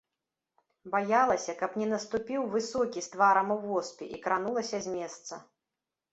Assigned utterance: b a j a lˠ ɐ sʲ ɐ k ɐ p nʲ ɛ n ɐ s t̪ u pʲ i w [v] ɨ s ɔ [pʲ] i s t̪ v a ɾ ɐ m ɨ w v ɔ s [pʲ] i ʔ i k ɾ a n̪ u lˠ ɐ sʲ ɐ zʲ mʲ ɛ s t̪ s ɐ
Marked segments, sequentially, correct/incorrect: correct, incorrect, correct

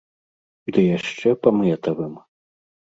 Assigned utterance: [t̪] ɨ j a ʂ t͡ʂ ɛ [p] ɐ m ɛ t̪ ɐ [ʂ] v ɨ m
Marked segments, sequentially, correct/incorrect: incorrect, correct, incorrect

